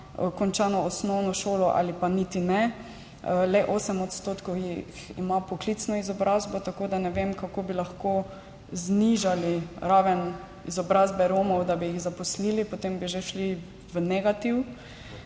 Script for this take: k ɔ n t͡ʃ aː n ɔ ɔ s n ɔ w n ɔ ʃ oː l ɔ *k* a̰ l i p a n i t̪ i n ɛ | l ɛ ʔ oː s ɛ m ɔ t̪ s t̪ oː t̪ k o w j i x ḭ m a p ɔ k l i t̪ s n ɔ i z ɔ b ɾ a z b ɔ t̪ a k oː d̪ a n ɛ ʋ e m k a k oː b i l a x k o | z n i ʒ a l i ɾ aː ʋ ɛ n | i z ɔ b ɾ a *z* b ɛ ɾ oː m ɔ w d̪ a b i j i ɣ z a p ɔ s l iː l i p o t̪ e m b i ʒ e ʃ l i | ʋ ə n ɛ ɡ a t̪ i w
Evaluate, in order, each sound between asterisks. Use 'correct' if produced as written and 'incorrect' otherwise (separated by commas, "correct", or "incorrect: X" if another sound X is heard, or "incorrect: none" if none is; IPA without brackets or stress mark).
incorrect: ʔ, correct